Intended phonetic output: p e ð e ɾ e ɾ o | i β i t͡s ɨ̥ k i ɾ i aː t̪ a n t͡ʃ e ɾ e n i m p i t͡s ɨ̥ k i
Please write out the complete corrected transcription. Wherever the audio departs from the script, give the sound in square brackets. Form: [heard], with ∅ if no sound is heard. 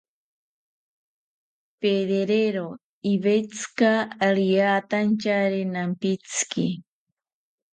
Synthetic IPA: p e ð e ɾ e ɾ o | i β [e] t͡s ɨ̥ k [a] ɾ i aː t̪ a n t͡ʃ [a] ɾ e n [a] m p i t͡s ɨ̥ k i